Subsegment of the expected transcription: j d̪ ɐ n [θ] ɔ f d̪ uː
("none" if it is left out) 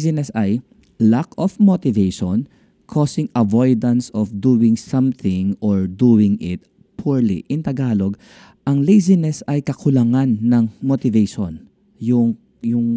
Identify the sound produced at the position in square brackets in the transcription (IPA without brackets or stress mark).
s